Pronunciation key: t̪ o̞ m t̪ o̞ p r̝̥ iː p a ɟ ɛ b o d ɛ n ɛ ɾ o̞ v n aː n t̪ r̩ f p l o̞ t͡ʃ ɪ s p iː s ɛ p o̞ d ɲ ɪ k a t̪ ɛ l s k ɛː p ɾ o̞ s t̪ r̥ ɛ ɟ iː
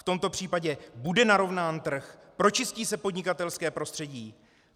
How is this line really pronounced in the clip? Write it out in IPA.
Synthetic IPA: t̪ o̞ m t̪ o̞ p r̝̥ iː p a ɟ ɛ b u d ɛ n a ɾ o̞ v n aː n t̪ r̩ x p ɾ o̞ t͡ʃ ɪ s c iː s ɛ p o̞ d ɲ ɪ k a t̪ ɛ l s k ɛː p ɾ o̞ s t̪ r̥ ɛ ɟ iː